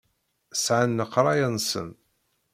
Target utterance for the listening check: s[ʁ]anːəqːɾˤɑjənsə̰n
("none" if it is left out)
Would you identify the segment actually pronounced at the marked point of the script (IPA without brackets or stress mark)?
ʕ